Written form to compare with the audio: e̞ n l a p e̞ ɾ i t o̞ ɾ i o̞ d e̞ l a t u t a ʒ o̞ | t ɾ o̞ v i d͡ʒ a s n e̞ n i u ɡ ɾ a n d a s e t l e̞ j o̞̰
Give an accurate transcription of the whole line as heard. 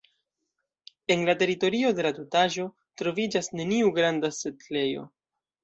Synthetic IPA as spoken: e̞ n l a t e̞ ɾ i t o̞ ɾ i o̞ d e̞ l a t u t a ʒ o̞ | t ɾ o̞ v i d͡ʒ a s n e̞ n i u ɡ ɾ a n d a s e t l e̞ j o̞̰